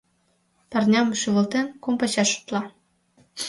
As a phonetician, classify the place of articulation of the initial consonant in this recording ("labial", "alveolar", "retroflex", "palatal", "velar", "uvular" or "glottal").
labial